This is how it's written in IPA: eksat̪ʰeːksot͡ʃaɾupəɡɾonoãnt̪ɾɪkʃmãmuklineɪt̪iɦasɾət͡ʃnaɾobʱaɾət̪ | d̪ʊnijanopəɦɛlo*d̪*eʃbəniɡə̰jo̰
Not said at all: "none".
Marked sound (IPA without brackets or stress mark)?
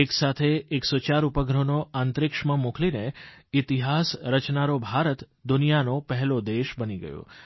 d̪